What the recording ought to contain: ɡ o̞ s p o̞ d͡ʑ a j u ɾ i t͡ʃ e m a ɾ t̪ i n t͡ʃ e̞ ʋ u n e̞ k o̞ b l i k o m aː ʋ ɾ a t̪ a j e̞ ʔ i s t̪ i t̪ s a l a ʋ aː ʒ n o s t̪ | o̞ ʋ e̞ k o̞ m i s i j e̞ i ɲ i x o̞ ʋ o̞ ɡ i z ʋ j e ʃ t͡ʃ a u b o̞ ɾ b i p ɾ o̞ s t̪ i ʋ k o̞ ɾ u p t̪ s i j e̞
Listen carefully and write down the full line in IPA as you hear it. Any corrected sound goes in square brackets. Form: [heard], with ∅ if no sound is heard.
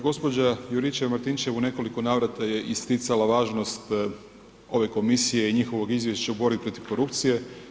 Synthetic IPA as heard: ɡ o̞ s p o̞ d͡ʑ a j u ɾ i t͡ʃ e m a ɾ t̪ i n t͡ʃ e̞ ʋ u n e̞ k o̞ [∅] l i k o [n] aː ʋ ɾ a t̪ a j e̞ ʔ i s t̪ i t̪ s a l a ʋ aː ʒ n o s t̪ | o̞ ʋ e̞ k o̞ m i s i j e̞ i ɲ i x o̞ ʋ o̞ ɡ i z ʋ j e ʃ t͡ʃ a u b o̞ ɾ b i p ɾ o̞ [∅] t̪ i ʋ k o̞ ɾ u p t̪ s i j e̞